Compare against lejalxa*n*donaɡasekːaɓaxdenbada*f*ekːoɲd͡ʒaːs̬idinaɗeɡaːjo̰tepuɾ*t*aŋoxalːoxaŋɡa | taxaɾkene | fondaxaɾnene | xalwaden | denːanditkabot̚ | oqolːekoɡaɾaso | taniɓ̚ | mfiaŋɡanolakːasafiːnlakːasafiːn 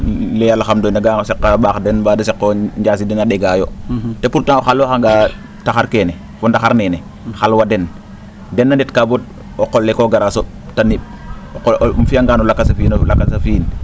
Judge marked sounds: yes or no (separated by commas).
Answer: no, no, yes